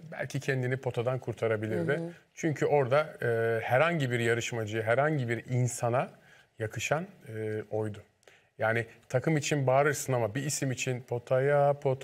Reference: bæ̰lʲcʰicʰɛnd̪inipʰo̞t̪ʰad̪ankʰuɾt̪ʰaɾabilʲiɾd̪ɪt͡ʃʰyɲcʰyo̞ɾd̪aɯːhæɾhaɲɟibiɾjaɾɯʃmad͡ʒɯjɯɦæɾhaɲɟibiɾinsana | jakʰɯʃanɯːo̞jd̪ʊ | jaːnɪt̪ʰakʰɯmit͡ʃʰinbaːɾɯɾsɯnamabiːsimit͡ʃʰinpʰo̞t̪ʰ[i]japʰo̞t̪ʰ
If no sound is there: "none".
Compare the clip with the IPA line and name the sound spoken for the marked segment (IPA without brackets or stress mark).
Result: a